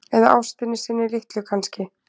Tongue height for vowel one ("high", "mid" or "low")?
mid